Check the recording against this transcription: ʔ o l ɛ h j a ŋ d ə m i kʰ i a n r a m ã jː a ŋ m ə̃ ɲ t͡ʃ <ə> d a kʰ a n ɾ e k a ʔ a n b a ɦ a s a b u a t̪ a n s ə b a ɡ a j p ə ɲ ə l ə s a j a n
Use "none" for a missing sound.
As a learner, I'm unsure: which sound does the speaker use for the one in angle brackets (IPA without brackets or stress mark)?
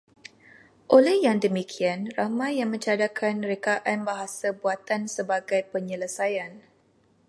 a